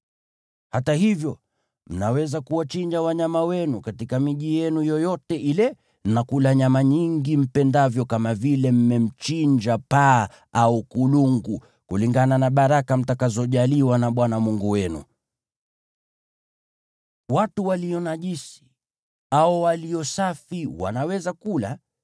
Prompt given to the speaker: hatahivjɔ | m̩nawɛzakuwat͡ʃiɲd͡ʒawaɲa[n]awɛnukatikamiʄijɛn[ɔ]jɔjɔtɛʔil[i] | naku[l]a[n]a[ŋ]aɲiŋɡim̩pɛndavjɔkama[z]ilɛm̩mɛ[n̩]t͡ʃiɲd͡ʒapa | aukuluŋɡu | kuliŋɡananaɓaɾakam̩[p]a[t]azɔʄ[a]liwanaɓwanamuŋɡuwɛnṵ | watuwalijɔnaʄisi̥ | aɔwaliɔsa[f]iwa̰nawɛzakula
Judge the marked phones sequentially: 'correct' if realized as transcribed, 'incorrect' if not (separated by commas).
incorrect, incorrect, incorrect, correct, incorrect, incorrect, incorrect, incorrect, incorrect, incorrect, correct, correct